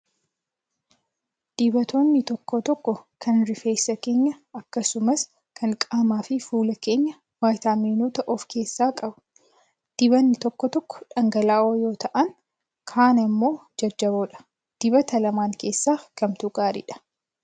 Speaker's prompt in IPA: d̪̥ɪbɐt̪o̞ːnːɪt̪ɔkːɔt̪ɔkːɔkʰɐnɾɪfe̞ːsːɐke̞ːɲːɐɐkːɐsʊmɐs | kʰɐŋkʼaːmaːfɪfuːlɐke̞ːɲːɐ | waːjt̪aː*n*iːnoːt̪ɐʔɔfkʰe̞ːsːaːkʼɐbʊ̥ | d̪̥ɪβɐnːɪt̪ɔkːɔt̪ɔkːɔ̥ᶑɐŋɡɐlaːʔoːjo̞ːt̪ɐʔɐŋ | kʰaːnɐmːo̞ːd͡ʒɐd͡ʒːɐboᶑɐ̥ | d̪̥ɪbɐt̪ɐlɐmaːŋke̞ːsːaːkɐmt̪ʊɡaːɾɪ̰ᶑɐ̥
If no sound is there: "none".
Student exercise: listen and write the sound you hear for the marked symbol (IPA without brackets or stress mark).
m